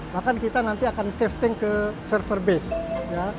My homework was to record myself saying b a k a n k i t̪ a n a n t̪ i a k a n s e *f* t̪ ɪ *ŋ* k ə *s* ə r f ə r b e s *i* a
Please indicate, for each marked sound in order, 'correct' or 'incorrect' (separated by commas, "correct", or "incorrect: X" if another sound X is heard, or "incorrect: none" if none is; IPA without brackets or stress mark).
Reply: correct, correct, correct, incorrect: j